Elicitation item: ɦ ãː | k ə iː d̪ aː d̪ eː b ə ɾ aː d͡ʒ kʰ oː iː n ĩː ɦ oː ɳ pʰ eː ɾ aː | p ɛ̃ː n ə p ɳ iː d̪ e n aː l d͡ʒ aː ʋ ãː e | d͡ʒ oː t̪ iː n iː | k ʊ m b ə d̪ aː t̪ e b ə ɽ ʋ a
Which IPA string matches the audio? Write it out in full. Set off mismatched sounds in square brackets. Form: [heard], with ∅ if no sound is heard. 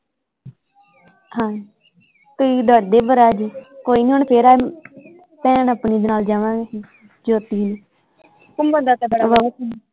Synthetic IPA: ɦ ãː | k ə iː d̪ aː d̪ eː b ə ɾ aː d͡ʒ [k] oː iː n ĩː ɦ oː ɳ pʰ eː ɾ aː | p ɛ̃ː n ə p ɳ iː d̪ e n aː l d͡ʒ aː ʋ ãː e | d͡ʒ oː t̪ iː n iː | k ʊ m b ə d̪ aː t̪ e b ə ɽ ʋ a